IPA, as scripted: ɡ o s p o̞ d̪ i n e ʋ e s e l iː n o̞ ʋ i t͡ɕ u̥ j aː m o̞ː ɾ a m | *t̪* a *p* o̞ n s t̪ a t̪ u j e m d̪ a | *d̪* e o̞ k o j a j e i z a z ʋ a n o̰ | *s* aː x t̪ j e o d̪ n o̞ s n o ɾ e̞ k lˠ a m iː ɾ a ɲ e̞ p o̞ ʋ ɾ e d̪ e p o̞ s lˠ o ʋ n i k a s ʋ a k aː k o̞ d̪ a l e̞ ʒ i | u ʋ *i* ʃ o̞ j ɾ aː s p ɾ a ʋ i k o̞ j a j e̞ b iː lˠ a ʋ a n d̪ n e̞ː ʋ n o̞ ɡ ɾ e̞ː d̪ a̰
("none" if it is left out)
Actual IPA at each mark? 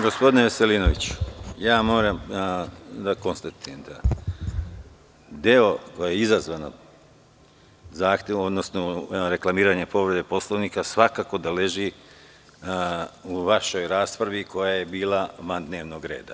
d̪, k, d̪, z, a

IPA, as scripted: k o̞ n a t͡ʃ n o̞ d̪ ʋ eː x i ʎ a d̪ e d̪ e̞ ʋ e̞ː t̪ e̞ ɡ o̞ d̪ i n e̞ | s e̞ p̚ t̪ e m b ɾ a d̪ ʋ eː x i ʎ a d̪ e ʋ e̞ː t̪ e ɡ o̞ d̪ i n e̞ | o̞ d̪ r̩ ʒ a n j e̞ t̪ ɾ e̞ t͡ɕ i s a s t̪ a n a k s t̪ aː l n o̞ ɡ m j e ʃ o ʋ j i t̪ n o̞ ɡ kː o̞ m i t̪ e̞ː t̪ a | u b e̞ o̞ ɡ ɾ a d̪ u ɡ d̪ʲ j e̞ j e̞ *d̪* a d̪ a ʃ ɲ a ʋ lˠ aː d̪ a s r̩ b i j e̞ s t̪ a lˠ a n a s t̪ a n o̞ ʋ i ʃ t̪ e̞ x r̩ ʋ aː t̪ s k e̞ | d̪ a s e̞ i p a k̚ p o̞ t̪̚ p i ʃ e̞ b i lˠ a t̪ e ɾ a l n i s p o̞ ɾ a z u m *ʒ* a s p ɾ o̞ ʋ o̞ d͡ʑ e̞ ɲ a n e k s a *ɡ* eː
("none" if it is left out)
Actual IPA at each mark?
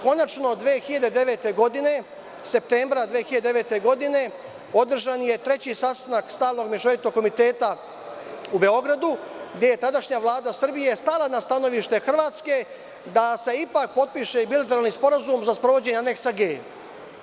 t̪, z, ɡ

